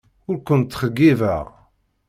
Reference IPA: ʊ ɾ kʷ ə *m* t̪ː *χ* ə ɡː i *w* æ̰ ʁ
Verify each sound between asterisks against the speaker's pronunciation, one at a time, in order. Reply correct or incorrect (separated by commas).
incorrect, correct, incorrect